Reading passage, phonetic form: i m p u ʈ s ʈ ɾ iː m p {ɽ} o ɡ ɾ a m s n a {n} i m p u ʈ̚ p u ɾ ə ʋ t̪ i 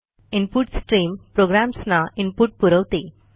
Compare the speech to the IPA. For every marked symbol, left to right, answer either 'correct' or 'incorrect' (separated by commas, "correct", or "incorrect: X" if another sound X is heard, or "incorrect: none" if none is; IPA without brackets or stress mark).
incorrect: ɾ, incorrect: none